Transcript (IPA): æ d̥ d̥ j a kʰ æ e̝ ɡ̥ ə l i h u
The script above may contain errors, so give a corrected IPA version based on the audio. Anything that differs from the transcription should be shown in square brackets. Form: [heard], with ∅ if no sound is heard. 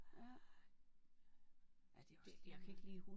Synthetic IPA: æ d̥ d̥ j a kʰ æ e̝ ɡ̥ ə l [iː] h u